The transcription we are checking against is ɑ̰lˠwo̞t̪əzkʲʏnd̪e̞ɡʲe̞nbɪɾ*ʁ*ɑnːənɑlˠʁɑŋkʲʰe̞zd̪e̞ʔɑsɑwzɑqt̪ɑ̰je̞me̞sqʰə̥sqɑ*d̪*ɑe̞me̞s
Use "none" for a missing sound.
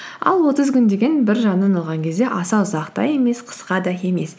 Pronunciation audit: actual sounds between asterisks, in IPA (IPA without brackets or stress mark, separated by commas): ʒ, d̪